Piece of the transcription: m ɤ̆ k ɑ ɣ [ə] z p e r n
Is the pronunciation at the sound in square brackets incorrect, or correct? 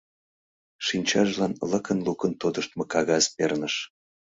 incorrect